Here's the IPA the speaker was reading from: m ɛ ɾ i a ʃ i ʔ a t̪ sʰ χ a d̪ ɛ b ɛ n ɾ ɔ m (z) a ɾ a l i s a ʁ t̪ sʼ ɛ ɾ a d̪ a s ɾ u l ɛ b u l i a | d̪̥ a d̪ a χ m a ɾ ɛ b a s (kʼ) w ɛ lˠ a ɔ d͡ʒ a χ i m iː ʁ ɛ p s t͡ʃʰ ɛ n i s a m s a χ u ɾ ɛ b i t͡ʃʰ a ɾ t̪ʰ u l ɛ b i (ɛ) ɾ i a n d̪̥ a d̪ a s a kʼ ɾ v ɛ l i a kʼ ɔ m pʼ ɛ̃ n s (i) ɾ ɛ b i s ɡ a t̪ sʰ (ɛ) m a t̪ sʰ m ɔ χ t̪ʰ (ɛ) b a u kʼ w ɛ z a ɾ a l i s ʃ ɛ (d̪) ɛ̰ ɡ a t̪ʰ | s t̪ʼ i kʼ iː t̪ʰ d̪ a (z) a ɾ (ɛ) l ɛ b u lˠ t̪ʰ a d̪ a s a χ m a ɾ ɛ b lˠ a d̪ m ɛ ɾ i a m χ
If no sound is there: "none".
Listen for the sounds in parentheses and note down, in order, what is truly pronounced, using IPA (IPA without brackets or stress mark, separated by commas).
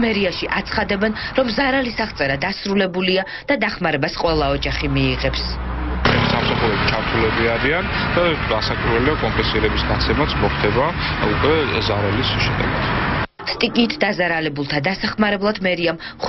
z, qʼ, a, i, ɛ, ɛ, d̪, z, a